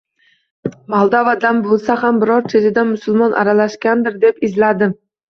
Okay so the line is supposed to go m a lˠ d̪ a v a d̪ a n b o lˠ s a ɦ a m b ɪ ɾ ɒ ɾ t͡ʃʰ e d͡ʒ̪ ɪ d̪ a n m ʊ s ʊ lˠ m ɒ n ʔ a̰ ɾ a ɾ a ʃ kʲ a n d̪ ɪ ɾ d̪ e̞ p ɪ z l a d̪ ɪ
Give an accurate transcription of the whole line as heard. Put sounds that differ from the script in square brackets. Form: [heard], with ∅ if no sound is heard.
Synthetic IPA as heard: m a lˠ d̪ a v a d̪ a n b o lˠ s a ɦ a m b ɪ ɾ ɒ ɾ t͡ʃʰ e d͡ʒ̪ ɪ d̪ a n m ʊ s ʊ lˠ m ɒ n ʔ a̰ ɾ a [l] a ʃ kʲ a n d̪ ɪ ɾ d̪ e̞ p ɪ z l a d̪ ɪ